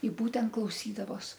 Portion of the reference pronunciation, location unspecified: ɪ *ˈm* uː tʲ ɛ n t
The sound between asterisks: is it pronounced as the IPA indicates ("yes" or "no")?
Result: no